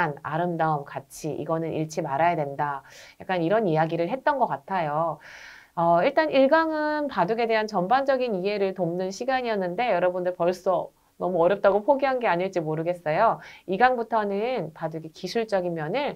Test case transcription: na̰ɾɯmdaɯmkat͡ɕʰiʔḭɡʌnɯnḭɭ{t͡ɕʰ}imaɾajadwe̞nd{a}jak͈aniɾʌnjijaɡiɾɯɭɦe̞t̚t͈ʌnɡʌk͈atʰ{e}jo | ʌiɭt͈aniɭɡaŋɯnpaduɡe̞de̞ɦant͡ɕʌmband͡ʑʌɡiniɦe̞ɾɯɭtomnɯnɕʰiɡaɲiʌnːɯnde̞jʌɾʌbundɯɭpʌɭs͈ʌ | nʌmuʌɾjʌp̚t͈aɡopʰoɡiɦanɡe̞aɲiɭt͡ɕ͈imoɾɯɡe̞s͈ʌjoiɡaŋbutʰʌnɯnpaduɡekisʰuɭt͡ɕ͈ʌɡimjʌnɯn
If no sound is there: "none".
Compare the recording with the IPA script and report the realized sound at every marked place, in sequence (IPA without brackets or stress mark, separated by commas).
t͡ɕʰ, a, a